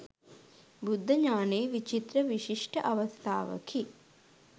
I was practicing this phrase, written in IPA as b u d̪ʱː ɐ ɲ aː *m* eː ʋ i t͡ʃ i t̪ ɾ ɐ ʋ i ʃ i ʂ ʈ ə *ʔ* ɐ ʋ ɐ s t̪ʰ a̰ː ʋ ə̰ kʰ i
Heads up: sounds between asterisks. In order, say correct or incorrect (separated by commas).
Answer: incorrect, correct